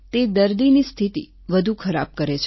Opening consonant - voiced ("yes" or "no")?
no